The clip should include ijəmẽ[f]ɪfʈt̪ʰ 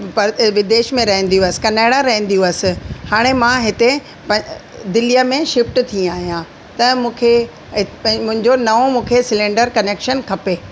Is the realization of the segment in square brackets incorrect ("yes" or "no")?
yes